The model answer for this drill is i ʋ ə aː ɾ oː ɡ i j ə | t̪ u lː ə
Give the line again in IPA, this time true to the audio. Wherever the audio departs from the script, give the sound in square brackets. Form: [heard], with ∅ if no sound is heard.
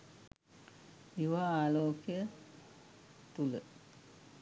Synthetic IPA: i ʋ [a] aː [l] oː [k] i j ə | t̪ u [l] ə